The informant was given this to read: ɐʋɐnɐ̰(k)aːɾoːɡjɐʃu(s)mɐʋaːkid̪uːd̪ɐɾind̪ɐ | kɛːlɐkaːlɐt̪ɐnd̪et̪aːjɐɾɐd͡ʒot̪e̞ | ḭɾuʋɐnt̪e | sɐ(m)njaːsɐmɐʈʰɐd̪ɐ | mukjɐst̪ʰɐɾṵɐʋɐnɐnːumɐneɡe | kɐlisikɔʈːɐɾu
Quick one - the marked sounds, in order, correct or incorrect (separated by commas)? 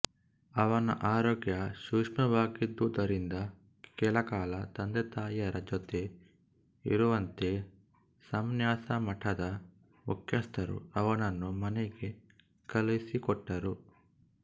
incorrect, incorrect, correct